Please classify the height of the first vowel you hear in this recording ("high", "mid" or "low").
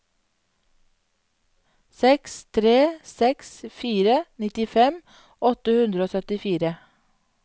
mid